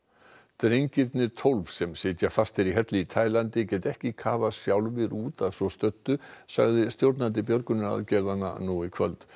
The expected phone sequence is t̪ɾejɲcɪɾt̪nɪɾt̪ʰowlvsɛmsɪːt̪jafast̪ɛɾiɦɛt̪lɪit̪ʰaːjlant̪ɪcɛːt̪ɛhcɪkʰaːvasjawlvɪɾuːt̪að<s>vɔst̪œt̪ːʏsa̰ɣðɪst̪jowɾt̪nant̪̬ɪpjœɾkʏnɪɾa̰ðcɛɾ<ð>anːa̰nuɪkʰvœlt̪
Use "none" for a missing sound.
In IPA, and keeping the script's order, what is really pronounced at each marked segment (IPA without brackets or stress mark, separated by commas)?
s, ð